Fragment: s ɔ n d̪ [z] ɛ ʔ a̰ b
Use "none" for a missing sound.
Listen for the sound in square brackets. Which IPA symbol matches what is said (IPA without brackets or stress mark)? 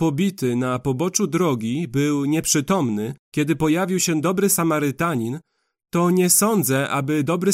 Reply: z